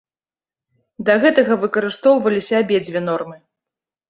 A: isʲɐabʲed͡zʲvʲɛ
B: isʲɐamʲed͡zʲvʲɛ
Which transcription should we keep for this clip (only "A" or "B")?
A